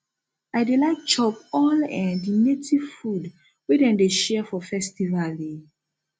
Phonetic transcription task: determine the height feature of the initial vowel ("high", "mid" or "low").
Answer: low